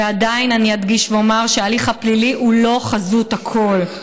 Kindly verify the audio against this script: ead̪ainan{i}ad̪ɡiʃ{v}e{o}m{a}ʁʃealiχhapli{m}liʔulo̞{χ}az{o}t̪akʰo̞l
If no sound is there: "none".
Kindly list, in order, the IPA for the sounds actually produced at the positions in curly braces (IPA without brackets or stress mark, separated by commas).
i, v, o, a, none, χ, u